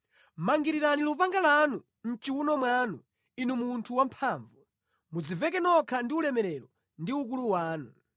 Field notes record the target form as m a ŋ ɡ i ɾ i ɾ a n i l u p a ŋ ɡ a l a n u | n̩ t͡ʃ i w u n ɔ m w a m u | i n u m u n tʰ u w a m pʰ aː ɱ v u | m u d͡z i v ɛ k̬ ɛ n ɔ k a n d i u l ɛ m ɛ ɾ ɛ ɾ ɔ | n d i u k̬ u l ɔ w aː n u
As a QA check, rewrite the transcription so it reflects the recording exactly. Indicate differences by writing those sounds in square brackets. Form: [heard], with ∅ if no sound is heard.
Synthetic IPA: m a ŋ ɡ i ɾ i ɾ a n i l u p a ŋ ɡ a l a n u | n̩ t͡ʃ i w u n ɔ m w a [n] u | i n u m u n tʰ u w a m pʰ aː ɱ v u | m u d͡z i v ɛ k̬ ɛ n ɔ [kʰ] a n d i u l ɛ m ɛ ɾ ɛ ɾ ɔ | n d i u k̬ u l [u] w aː n u